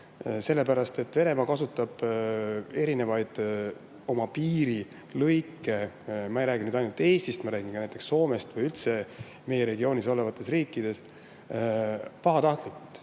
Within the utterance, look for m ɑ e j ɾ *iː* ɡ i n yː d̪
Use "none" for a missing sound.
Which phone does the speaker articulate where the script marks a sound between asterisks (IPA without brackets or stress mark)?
æː